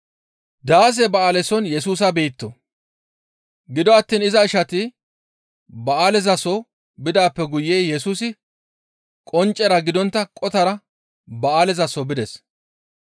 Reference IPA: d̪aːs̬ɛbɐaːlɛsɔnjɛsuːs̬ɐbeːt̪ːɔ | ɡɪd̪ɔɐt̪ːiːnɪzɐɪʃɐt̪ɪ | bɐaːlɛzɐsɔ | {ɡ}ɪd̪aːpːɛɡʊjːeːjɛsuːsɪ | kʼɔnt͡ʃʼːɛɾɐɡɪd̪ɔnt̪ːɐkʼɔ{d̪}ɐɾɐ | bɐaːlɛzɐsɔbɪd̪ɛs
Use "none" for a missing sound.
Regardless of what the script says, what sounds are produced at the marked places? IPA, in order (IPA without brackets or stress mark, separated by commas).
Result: b, t̪